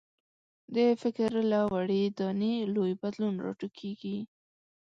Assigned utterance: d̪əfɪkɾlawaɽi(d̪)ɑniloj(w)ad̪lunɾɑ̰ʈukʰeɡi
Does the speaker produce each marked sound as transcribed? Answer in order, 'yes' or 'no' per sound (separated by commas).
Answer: yes, no